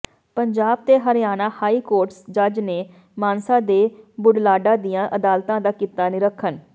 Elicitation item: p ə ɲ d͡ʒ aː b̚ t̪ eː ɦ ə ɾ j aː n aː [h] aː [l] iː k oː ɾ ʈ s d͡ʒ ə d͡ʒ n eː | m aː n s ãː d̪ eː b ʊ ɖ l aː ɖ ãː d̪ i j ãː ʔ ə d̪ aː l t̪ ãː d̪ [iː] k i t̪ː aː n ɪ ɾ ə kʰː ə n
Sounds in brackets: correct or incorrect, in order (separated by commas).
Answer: correct, incorrect, incorrect